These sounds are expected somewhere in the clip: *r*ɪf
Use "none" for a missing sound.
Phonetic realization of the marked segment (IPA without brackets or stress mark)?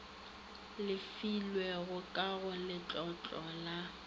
l